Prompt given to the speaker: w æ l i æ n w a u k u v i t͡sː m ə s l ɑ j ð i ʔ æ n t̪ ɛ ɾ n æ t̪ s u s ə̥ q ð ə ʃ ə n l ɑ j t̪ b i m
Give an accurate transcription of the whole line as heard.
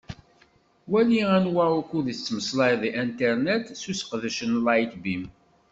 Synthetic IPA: w æ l i æ n w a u k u ð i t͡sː m ə s l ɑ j ð i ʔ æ n t̪ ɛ ɾ n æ t̪ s u s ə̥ q ð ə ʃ ə n l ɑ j t̪ b i m